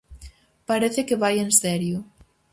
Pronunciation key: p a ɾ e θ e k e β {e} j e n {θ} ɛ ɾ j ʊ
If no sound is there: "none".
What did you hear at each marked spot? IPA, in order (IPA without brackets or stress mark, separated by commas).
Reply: a, s